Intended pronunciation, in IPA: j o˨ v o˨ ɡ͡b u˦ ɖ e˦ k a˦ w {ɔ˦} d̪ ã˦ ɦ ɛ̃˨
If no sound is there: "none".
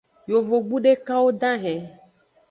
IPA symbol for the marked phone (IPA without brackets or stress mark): o˦